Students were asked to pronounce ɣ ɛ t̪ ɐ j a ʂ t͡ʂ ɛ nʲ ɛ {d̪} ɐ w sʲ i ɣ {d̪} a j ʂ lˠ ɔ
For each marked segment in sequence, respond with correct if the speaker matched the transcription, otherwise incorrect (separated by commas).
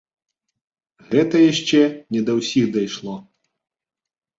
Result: correct, correct